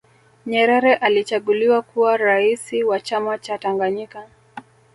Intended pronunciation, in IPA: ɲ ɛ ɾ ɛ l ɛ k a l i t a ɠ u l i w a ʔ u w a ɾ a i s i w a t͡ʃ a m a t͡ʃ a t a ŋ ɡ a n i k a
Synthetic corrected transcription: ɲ ɛ ɾ ɛ ɾ ɛ ʔ a l i t͡ʃ a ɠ u l i w a k u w a ɾ a i s i w a t͡ʃ a m a t͡ʃ a t a ŋ ɡ a ɲ i k a